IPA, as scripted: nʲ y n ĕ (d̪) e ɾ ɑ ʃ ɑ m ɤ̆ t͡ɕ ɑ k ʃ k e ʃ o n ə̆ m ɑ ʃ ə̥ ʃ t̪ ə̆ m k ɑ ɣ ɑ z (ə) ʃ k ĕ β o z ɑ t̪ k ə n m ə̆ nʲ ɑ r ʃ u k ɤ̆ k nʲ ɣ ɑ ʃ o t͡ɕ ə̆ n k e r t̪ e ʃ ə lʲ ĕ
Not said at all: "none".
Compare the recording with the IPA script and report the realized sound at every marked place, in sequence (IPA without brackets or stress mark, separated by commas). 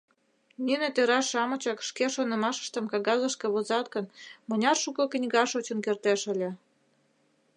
t̪, ə